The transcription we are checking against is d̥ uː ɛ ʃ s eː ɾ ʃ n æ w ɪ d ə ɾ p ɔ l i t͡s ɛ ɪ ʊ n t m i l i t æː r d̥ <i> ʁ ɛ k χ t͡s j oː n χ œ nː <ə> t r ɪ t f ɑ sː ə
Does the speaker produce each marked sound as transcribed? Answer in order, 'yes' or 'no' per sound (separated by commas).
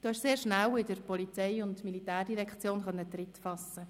yes, yes